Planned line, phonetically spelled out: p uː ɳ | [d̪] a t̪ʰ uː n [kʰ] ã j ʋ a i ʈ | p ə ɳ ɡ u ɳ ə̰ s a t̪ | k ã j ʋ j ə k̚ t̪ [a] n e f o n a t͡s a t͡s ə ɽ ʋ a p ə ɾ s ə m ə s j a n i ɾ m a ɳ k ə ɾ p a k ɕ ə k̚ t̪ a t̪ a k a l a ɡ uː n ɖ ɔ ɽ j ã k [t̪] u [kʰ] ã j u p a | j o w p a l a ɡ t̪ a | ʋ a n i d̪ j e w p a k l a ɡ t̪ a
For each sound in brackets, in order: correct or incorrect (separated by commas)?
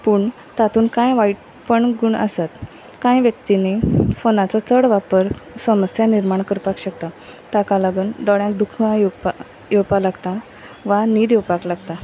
incorrect, incorrect, incorrect, incorrect, correct